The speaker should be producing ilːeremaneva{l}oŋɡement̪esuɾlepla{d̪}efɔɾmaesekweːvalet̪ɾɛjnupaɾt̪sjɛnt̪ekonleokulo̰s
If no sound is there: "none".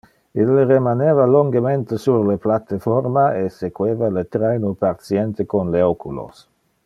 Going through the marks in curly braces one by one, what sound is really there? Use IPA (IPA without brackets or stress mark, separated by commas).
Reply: l, t̪